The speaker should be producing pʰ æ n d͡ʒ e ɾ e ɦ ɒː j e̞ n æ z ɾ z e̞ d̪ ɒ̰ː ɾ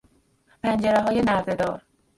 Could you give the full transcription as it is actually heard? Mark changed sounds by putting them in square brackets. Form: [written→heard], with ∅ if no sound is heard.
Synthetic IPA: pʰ æ n d͡ʒ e ɾ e ɦ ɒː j e̞ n æ [z→∅] ɾ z e̞ d̪ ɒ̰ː ɾ

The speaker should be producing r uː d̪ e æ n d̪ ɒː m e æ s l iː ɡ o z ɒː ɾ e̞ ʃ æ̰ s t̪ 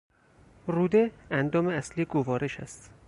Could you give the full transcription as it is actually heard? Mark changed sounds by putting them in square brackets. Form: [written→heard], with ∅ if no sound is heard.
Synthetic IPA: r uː d̪ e æ n d̪ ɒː m e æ s l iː ɡ o [z→v] ɒː ɾ e̞ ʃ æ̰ s t̪

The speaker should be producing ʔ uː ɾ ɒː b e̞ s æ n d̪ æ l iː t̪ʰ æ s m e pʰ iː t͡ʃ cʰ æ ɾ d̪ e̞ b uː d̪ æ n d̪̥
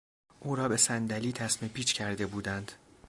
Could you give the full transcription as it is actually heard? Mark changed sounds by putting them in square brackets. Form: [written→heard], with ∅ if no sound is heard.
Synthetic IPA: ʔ uː ɾ ɒː b e̞ s æ n d̪ æ l iː t̪ʰ æ s m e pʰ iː t͡ʃ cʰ æ ɾ d̪ e̞ b uː d̪ æ n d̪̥

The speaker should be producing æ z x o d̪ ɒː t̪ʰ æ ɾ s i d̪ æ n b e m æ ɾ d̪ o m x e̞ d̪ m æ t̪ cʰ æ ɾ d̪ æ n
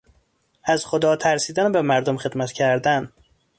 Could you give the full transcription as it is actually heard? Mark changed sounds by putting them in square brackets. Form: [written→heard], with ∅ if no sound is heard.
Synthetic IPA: æ z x o d̪ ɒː t̪ʰ æ ɾ s [i→iː] d̪ æ n b e m æ ɾ d̪ o m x e̞ d̪ m æ t̪ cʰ æ ɾ d̪ æ n

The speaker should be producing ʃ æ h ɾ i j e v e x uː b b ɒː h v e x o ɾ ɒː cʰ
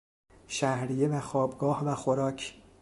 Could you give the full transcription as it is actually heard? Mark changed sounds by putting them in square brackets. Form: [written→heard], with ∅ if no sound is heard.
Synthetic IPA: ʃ æ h ɾ i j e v [e→æ] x [uː→ɒː] b [b→ɡ] ɒː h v [e→æ] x o ɾ ɒː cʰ

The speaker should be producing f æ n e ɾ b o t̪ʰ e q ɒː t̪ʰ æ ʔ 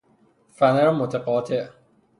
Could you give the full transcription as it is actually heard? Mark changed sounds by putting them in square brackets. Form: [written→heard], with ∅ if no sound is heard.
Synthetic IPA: f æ n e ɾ [b→m] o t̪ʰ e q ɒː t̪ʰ [æ→e] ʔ

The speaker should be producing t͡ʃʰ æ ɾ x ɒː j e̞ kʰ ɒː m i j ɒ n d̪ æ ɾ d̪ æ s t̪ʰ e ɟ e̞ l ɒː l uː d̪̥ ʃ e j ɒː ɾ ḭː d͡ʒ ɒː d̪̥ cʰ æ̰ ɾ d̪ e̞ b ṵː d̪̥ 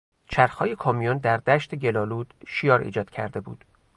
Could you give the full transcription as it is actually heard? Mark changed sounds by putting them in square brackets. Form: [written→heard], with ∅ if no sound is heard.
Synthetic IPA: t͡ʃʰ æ ɾ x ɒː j e̞ kʰ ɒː m i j [ɒ→o] n d̪ æ ɾ d̪ æ [s→ʃ] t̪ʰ e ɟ e̞ l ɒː l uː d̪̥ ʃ [e→i] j ɒː ɾ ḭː d͡ʒ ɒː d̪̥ cʰ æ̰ ɾ d̪ e̞ b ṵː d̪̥

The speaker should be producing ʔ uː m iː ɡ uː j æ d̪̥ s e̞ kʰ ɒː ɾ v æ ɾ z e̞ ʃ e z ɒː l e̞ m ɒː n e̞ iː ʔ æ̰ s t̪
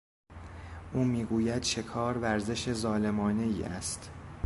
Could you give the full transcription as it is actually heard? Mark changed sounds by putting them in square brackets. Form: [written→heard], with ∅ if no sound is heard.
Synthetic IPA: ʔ uː m iː ɡ uː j æ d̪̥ [s→ʃ] e̞ kʰ ɒː ɾ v æ ɾ z e̞ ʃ e z ɒː l e̞ m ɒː n e̞ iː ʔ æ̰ s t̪

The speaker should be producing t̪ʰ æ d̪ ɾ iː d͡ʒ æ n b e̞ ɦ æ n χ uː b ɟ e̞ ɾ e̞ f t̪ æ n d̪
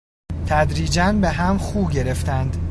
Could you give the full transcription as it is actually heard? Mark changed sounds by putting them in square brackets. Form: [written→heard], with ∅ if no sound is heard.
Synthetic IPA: t̪ʰ æ d̪ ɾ iː d͡ʒ æ n b e̞ ɦ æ [n→m] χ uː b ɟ e̞ ɾ e̞ f t̪ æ n d̪

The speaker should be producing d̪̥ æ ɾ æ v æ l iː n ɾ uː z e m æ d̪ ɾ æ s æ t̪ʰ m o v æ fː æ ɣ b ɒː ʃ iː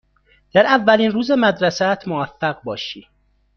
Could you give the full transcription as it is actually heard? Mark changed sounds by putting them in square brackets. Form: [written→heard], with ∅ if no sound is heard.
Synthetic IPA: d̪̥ æ ɾ æ [v→vː] æ l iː n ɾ uː z e m æ d̪ ɾ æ s æ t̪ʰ m o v æ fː æ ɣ b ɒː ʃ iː

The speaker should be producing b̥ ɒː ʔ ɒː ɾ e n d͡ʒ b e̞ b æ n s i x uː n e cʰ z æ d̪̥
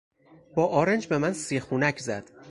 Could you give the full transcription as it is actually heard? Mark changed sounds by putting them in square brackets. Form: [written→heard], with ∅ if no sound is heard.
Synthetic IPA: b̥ ɒː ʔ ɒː ɾ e n d͡ʒ b e̞ [b→m] æ n s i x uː n [e→æ] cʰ z æ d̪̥

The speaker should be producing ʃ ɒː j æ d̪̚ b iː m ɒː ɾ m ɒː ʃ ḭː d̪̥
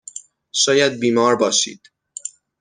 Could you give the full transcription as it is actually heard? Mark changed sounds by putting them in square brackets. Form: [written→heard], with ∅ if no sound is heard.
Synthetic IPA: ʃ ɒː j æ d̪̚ b iː m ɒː ɾ [m→b] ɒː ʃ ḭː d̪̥

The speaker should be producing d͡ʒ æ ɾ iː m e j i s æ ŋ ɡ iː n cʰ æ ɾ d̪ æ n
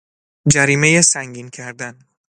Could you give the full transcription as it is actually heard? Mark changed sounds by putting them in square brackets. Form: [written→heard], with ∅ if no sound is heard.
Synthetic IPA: d͡ʒ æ ɾ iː m e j [i→e] s æ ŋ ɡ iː n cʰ æ ɾ d̪ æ n

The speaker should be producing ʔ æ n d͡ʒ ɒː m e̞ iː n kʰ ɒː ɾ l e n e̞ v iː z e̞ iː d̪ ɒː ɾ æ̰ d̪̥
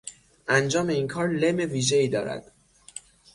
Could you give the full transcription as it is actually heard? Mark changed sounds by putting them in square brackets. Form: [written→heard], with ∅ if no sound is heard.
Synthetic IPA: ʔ æ n d͡ʒ ɒː m e̞ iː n kʰ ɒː ɾ l e [n→m] e̞ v iː [z→ʒ] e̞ iː d̪ ɒː ɾ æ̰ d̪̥

